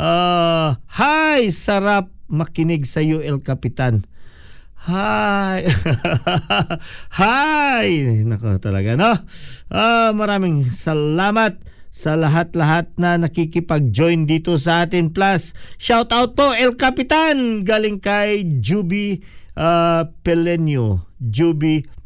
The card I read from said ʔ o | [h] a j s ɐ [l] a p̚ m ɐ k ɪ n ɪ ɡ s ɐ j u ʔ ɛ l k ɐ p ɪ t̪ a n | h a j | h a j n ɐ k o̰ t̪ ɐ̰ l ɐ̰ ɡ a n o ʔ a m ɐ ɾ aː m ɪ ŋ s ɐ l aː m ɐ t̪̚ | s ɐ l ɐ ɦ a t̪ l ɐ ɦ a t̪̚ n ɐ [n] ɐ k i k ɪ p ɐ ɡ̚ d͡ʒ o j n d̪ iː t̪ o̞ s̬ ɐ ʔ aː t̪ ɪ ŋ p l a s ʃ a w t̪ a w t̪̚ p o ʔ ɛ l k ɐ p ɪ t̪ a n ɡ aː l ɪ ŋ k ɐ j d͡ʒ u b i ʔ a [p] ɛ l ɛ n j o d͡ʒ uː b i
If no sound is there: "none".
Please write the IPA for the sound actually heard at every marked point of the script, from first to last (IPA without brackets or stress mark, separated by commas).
h, ɾ, n, p